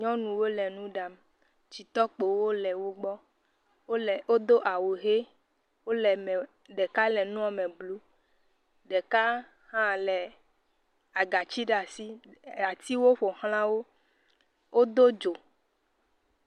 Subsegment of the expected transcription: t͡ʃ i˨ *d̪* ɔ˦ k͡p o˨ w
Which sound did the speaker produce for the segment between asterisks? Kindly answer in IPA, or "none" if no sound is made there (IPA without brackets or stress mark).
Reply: t̪